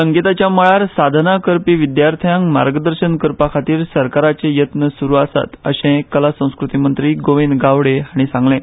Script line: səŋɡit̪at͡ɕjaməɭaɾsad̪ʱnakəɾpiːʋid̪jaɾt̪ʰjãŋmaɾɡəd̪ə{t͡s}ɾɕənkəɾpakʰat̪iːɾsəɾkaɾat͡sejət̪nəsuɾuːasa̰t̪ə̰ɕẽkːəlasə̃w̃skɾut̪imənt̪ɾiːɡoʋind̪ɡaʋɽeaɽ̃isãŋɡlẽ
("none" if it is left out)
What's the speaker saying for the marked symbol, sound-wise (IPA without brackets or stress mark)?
none